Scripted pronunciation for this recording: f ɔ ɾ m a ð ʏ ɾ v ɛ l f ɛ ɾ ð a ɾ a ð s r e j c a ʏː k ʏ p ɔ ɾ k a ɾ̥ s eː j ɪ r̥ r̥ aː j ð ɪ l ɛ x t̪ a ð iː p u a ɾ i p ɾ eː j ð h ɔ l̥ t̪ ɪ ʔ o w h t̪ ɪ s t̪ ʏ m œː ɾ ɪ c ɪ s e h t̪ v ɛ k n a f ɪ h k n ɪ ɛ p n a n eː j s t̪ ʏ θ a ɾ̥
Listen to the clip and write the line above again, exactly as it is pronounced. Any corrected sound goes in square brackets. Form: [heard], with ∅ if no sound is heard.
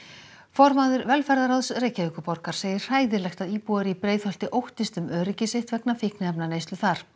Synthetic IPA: f ɔ ɾ m a ð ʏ ɾ v ɛ l f ɛ ɾ ð a ɾ a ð s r e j c a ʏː k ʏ p ɔ ɾ k a ɾ̥ s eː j ɪ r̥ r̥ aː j ð ɪ l ɛ x t̪ a ð iː p u a ɾ i p ɾ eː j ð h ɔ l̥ t̪ ɪ ʔ o w h t̪ ɪ s t̪ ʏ m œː ɾ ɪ c ɪ s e h t̪ v ɛ k n a f ɪ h k n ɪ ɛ p n a n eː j s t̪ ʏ θ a ɾ̥